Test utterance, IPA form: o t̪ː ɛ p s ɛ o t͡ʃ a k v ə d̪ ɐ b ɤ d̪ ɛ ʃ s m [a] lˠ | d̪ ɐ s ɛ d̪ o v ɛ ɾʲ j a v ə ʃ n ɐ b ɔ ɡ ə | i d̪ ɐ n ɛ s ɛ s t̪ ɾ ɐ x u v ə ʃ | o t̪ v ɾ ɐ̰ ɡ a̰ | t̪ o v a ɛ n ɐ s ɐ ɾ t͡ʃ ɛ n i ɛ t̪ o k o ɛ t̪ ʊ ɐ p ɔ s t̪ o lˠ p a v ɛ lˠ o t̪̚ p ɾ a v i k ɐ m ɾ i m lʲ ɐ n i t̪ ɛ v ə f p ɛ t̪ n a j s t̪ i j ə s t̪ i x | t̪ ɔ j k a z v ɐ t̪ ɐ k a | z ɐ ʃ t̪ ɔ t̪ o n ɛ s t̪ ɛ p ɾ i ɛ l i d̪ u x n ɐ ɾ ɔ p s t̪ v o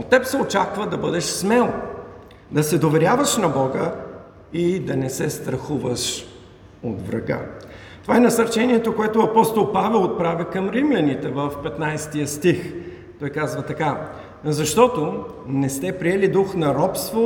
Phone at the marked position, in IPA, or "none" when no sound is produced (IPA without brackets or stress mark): ɛ